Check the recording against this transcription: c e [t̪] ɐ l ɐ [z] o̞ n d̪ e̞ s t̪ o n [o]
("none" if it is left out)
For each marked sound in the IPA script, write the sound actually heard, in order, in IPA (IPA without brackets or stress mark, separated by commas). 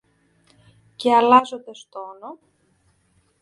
none, z, o